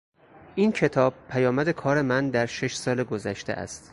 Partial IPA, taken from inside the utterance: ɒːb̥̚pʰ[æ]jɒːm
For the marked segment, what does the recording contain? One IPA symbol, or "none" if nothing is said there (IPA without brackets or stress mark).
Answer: æ